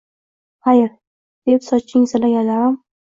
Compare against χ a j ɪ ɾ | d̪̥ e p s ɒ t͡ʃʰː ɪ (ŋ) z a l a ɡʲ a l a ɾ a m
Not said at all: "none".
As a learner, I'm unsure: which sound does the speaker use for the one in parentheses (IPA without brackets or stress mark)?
ŋ